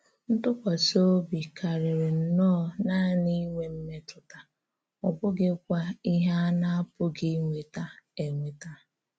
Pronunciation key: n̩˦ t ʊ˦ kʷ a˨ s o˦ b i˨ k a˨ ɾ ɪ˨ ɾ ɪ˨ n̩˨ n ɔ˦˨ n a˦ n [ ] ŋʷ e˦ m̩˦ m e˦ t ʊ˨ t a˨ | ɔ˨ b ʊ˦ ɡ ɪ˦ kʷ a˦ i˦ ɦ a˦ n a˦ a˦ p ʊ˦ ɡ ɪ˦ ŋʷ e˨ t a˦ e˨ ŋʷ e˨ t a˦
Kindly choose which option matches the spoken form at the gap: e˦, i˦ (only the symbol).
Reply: i˦